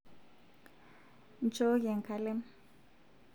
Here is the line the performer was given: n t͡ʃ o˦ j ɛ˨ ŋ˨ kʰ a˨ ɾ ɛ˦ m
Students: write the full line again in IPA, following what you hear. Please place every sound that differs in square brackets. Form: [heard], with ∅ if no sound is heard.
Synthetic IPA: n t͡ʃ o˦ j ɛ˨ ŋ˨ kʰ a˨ [l] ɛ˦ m